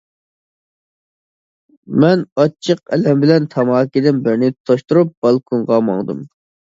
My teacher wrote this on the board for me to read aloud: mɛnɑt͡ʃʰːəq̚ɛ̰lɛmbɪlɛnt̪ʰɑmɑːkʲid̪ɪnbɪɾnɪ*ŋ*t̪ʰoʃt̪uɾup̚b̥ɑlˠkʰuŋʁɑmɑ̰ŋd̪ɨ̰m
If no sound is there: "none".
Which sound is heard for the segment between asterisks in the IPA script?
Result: none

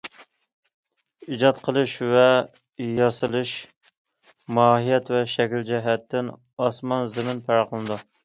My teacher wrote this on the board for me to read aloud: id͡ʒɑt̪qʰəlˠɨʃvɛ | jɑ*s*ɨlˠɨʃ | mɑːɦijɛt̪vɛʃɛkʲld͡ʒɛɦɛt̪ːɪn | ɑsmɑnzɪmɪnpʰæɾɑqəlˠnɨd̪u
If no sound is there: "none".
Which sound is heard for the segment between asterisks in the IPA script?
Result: s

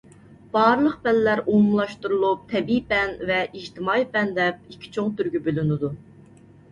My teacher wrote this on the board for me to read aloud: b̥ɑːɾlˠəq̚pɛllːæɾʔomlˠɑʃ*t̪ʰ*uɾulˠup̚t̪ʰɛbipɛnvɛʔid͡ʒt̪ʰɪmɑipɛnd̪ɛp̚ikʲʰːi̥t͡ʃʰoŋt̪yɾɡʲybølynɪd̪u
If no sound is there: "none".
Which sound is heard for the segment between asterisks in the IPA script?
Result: t̪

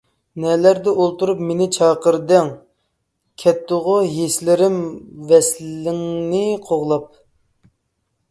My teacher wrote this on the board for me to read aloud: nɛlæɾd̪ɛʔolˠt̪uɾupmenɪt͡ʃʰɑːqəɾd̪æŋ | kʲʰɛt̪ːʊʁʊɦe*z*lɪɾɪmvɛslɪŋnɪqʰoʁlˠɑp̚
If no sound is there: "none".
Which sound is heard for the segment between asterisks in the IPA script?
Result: s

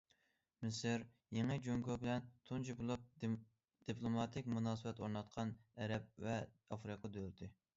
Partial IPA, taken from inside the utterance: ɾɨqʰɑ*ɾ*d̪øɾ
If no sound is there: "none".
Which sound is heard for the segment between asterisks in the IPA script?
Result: none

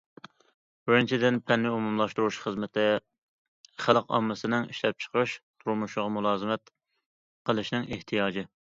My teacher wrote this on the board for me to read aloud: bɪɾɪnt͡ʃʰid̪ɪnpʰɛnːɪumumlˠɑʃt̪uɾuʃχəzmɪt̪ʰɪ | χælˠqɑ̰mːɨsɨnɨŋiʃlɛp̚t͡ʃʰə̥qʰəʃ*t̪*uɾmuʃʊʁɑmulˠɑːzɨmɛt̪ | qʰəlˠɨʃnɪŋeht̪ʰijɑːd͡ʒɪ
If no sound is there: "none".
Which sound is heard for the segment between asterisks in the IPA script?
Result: t̪ʰ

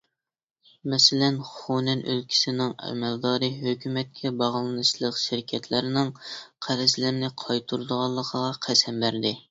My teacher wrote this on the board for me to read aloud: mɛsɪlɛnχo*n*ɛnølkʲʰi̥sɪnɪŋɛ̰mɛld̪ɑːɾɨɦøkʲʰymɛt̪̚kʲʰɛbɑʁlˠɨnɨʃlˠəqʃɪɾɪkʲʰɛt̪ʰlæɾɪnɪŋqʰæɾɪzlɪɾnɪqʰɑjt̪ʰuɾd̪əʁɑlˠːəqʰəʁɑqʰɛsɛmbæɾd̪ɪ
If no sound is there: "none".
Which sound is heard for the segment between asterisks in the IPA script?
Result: n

